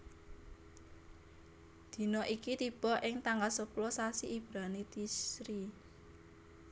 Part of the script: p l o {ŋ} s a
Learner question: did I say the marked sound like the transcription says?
no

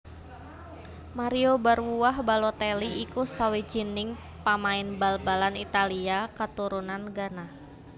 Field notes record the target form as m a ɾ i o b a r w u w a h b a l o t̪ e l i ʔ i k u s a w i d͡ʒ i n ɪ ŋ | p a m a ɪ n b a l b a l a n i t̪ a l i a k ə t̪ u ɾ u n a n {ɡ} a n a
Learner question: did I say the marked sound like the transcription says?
yes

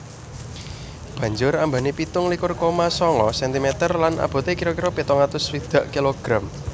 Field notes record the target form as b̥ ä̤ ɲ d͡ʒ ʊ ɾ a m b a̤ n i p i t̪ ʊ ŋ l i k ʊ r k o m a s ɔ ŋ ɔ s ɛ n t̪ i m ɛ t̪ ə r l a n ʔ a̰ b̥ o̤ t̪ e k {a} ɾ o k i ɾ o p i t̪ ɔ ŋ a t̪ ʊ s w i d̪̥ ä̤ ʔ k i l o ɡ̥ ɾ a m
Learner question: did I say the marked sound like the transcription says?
no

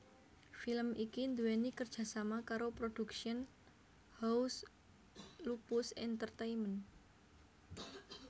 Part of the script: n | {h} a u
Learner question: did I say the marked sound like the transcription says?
yes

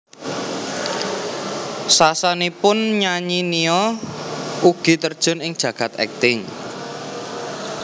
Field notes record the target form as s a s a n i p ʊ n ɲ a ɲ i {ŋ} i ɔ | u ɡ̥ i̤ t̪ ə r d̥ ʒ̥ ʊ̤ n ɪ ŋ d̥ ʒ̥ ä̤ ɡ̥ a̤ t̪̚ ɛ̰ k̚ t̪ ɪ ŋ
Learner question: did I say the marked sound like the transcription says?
no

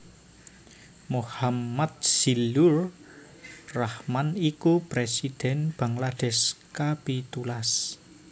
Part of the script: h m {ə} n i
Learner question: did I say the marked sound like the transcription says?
no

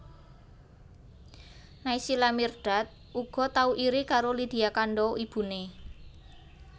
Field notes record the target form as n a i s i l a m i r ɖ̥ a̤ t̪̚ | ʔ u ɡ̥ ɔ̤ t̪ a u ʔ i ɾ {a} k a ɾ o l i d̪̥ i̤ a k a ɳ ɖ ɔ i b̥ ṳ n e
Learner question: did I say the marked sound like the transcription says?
no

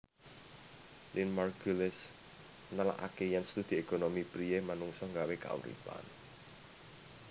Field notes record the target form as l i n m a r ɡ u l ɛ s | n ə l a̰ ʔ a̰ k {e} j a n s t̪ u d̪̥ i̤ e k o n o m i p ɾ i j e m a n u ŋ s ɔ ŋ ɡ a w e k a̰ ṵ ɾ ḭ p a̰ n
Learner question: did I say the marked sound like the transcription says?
yes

